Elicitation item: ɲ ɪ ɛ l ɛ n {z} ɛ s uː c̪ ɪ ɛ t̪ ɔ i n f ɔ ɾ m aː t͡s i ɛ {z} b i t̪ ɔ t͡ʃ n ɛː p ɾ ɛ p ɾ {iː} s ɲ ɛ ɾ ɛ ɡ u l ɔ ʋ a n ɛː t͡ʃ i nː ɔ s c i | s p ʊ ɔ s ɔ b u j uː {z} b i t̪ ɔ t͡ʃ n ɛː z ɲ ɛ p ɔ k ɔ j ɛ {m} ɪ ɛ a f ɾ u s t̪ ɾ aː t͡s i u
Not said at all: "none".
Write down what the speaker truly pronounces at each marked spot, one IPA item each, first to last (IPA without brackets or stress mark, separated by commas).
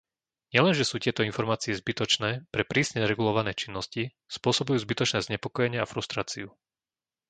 ʒ, z, iː, z, ɲ